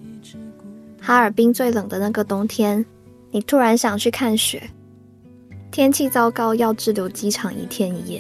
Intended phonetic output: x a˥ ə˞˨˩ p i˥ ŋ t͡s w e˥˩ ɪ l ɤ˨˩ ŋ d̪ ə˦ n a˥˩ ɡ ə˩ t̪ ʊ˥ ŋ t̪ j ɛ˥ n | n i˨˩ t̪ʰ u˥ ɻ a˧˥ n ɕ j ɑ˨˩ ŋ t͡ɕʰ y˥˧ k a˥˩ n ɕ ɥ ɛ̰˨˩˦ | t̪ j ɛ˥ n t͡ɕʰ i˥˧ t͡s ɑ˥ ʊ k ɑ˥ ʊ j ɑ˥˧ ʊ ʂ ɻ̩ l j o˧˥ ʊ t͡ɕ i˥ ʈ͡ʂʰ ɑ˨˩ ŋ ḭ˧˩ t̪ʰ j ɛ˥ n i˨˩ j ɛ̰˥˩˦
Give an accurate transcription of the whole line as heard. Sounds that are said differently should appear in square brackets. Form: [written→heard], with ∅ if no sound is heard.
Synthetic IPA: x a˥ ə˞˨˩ p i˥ ŋ t͡s w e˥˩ ɪ l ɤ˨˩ ŋ d̪ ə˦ n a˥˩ ɡ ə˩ t̪ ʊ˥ ŋ [t̪→t̪ʰ] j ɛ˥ n | n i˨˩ t̪ʰ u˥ ɻ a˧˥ n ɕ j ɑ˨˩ ŋ t͡ɕʰ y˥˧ [k→kʰ] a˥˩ n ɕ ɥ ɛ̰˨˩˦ | [t̪→t̪ʰ] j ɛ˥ n t͡ɕʰ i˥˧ t͡s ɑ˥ ʊ k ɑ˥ ʊ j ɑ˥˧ ʊ [ʂ→ʈ͡ʂ] ɻ̩ l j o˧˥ ʊ t͡ɕ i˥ ʈ͡ʂʰ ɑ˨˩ ŋ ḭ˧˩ t̪ʰ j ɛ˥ n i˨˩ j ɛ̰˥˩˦